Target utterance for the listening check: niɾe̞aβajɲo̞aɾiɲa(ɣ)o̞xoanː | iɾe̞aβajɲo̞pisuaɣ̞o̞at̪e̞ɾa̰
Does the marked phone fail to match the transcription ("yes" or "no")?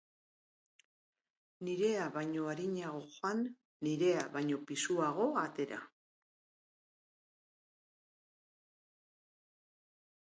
no